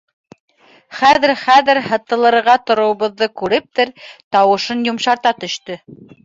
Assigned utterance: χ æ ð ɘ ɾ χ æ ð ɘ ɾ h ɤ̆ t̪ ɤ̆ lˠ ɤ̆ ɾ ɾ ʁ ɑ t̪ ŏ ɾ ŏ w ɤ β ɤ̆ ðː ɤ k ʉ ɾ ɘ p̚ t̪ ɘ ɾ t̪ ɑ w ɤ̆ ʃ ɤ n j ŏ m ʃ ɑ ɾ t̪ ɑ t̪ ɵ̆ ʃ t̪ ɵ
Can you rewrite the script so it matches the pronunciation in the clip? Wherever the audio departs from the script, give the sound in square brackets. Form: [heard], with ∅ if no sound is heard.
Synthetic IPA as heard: χ æ ð ɘ ɾ χ æ ð ɘ ɾ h ɤ̆ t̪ ɤ̆ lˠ ɤ̆ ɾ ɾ ʁ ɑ t̪ ŏ ɾ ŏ w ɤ β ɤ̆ ðː ɤ k ʉ ɾ ɘ p̚ t̪ ɘ ɾ t̪ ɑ w ɤ̆ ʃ ɤ n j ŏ m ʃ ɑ ɾ t̪ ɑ t̪ ɵ̆ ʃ t̪ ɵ